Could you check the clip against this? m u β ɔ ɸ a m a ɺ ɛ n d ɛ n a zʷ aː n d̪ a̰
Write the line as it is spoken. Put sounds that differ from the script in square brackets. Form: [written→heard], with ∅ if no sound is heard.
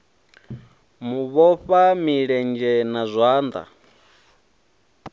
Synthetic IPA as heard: m u β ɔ ɸ a m [a→i] ɺ ɛ n [d→d͡ʒ] ɛ n a zʷ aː n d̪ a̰